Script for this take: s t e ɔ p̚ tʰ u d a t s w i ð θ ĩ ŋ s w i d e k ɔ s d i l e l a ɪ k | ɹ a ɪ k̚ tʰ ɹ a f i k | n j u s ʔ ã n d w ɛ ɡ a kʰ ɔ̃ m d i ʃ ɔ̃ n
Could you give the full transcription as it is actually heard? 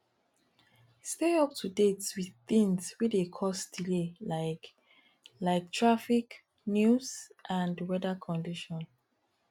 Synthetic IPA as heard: s t e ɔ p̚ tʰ u d e t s w i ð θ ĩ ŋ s w i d e kʰ ɔ s d i l e l a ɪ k | l a ɪ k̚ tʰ ɹ a f i k | n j u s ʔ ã n d w ɛ d a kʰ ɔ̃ n d i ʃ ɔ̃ n